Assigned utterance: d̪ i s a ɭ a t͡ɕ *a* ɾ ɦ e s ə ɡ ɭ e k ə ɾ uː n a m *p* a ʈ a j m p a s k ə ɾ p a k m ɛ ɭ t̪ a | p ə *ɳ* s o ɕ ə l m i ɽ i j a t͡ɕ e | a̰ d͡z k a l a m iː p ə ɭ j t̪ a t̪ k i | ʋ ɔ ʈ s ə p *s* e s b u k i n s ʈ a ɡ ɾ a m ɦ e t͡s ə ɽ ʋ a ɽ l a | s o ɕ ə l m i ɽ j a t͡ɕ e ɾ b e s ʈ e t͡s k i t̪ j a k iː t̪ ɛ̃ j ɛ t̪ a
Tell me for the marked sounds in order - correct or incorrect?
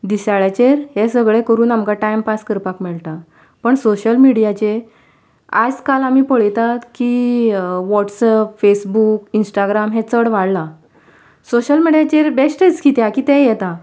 incorrect: e, incorrect: k, correct, incorrect: f

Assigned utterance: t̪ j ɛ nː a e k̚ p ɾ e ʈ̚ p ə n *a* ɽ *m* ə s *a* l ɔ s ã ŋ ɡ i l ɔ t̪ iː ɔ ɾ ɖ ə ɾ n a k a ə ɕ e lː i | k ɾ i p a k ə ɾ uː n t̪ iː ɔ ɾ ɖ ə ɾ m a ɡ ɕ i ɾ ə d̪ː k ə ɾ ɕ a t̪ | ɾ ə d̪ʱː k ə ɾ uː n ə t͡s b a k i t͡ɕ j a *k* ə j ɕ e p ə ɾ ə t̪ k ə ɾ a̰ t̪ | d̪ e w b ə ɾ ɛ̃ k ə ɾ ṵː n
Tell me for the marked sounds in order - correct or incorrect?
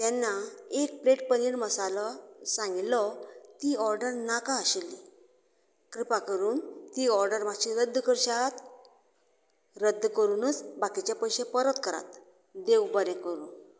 incorrect: i, correct, correct, incorrect: p

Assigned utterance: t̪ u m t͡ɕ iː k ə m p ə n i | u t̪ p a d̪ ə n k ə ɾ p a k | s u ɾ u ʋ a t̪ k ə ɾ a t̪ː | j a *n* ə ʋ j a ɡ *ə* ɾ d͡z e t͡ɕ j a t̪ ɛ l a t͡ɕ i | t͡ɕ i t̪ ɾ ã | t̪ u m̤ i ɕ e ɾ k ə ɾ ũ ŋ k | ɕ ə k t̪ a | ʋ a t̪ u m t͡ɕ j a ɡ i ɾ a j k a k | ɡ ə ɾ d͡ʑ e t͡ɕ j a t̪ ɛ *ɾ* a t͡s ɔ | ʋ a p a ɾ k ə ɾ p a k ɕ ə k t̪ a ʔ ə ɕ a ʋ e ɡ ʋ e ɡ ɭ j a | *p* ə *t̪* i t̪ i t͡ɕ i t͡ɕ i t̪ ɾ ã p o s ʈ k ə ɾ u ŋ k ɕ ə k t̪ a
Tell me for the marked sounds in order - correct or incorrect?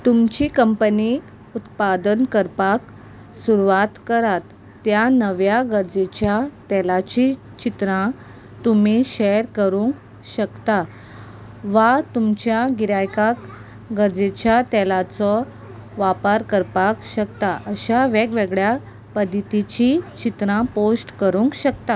correct, correct, incorrect: l, correct, incorrect: d̪

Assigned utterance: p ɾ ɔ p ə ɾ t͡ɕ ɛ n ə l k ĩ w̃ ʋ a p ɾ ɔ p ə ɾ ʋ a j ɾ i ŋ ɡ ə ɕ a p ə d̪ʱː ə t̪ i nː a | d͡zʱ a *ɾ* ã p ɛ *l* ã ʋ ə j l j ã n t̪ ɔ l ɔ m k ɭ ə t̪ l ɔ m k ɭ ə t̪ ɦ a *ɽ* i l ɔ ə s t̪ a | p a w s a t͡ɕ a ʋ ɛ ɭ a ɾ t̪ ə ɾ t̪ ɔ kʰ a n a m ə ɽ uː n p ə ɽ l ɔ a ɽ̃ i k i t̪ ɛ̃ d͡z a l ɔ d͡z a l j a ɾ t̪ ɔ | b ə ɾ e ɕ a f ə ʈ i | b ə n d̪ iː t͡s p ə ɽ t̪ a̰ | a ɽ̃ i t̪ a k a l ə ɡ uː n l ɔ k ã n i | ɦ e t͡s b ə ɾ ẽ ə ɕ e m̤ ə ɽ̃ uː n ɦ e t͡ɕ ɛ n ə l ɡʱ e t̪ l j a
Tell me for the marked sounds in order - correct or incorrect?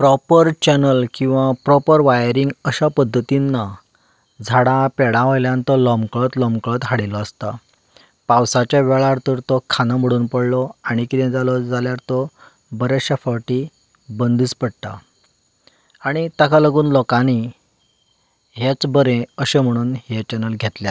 incorrect: ɽ, incorrect: ɽ, correct

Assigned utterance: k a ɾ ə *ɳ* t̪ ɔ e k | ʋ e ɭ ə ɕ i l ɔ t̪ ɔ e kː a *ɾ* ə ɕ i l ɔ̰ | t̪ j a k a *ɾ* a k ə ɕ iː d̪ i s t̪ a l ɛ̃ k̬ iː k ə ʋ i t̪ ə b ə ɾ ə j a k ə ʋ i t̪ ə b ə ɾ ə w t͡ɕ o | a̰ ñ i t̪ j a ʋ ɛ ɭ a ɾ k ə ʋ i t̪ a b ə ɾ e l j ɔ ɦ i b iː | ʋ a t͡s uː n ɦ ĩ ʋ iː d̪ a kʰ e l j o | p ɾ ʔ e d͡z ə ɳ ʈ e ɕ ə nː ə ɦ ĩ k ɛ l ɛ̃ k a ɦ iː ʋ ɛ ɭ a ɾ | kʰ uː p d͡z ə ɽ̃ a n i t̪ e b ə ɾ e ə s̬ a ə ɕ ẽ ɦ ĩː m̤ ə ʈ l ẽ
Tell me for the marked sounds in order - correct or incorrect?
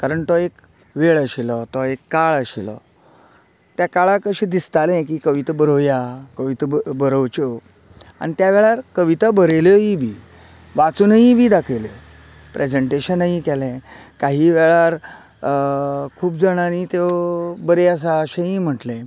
correct, incorrect: ɭ, incorrect: ɭ

